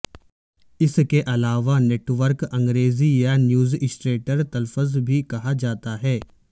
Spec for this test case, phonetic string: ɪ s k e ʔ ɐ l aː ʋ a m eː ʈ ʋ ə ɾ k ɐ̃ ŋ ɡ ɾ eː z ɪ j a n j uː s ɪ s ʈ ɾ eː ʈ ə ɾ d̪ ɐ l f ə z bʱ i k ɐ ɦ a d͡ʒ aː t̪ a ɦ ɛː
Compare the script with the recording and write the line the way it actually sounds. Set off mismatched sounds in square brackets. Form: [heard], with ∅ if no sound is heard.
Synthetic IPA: ɪ s k e ʔ ɐ l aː ʋ a [n] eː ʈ ʋ ə ɾ k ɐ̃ ŋ ɡ ɾ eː z [i] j a n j uː [z] ɪ s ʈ ɾ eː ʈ ə ɾ [t̪] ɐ l f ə z bʱ i k ɐ ɦ a d͡ʒ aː t̪ a ɦ ɛː